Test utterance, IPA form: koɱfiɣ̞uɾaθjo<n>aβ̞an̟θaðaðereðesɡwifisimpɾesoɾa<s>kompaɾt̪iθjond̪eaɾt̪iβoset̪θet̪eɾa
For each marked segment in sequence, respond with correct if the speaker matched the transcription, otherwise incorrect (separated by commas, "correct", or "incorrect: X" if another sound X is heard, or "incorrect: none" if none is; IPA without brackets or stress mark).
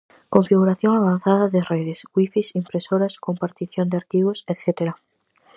incorrect: ŋ, correct